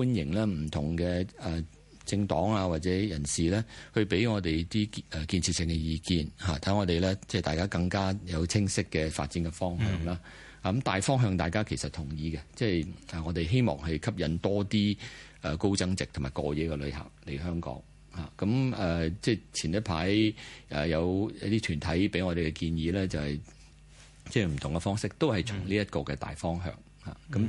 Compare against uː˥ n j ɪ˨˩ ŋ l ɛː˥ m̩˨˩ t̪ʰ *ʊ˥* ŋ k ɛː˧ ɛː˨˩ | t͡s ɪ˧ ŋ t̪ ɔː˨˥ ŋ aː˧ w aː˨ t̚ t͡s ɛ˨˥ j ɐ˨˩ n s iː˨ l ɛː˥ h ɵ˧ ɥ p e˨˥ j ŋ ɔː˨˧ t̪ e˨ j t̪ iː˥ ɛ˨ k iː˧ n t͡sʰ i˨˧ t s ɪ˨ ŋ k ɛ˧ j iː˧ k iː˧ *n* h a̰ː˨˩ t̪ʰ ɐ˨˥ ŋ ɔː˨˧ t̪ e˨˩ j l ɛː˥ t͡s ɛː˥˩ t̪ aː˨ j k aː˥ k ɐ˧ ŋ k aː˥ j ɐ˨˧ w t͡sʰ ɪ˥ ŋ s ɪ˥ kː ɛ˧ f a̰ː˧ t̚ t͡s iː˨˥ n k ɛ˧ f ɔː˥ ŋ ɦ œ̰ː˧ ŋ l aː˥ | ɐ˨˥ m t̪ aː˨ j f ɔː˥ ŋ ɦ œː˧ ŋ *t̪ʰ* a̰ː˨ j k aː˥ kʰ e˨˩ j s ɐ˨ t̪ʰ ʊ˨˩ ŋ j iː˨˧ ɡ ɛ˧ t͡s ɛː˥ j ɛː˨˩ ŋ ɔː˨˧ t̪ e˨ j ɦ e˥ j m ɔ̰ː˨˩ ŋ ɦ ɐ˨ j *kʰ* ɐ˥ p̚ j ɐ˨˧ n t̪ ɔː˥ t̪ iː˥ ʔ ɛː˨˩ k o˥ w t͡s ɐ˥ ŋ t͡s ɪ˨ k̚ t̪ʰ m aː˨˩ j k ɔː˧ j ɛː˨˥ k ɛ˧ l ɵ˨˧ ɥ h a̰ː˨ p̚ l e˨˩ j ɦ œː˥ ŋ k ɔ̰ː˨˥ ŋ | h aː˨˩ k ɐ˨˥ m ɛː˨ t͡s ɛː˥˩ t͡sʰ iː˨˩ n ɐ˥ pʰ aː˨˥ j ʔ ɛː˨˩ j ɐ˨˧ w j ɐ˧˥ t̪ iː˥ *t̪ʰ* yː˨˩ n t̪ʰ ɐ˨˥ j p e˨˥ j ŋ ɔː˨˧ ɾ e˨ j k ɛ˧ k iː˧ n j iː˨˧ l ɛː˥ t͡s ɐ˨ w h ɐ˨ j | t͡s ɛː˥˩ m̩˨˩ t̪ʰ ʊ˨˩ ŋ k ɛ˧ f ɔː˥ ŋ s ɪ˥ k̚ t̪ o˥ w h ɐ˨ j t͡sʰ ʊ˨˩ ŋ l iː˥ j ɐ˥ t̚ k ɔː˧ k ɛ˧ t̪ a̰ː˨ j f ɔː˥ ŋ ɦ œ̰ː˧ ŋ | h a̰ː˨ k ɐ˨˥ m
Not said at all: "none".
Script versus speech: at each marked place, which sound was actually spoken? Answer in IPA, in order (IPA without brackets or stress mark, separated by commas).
ʊ˨˩, n, t̪, kʰ, t̪ʰ